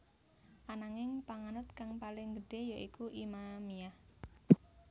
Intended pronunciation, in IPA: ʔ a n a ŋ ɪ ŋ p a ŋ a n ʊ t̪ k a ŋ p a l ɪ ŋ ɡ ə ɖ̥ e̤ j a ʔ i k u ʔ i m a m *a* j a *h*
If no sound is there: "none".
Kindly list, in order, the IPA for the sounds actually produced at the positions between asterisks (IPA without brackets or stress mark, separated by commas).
i, h